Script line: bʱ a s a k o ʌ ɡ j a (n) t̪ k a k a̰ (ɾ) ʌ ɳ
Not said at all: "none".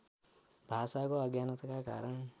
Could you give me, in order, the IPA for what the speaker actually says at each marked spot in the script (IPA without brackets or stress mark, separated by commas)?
n, ɾ